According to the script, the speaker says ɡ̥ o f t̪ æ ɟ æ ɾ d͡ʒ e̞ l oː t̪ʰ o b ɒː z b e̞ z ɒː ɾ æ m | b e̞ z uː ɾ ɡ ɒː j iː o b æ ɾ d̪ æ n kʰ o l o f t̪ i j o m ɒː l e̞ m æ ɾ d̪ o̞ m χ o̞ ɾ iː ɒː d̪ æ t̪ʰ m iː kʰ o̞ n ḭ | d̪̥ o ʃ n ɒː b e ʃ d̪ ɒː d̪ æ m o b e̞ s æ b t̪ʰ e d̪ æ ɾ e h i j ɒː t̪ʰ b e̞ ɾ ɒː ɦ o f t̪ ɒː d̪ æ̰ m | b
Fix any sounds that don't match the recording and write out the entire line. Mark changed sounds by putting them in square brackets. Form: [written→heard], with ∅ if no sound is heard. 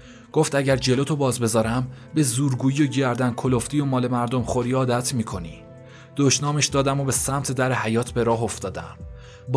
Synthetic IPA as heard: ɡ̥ o f t̪ æ ɟ æ ɾ d͡ʒ e̞ l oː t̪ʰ o b ɒː z b e̞ z ɒː ɾ æ m | b e̞ z uː ɾ ɡ [ɒː→uː] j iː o [b→ɟ] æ ɾ d̪ æ n kʰ o l o f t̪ i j o m ɒː l e̞ m æ ɾ d̪ o̞ m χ o̞ ɾ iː ɒː d̪ æ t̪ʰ m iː kʰ o̞ n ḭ | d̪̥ o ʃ n ɒː [b→m] e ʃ d̪ ɒː d̪ æ m o b e̞ s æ [b→m] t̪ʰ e d̪ æ ɾ e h [i→æ] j ɒː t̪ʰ b e̞ ɾ ɒː ɦ o f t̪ ɒː d̪ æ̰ m | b